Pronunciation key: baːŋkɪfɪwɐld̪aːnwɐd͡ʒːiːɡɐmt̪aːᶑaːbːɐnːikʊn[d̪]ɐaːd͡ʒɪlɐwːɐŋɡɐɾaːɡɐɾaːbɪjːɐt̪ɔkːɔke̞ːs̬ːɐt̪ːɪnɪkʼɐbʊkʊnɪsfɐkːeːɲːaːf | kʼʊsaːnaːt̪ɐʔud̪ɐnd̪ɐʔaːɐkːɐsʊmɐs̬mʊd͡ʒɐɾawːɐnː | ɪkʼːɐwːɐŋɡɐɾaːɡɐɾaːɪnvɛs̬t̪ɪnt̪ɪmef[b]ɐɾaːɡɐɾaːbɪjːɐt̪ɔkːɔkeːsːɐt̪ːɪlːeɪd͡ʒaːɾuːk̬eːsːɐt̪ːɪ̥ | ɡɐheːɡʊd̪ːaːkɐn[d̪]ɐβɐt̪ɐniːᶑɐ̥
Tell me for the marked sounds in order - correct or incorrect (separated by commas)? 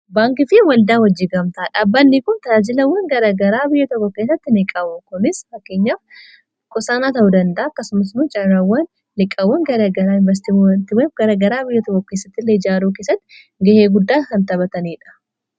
incorrect, incorrect, incorrect